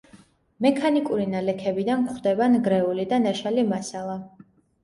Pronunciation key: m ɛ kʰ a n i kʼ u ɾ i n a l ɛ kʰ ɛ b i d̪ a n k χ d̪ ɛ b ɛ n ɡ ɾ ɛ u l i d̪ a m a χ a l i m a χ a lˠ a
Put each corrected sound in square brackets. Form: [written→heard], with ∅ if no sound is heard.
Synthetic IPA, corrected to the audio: m ɛ kʰ a n i kʼ u ɾ i n a l ɛ kʰ ɛ b i d̪ a n k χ d̪ ɛ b [ɛ→a] n ɡ ɾ ɛ u l i d̪ a [m→n] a [χ→ʃ] a l i m a [χ→s] a lˠ a